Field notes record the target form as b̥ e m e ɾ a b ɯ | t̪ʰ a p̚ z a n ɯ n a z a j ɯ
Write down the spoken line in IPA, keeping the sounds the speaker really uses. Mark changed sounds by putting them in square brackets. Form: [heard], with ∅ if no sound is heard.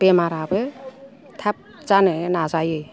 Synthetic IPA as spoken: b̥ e m [a] ɾ a b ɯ | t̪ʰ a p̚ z a n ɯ n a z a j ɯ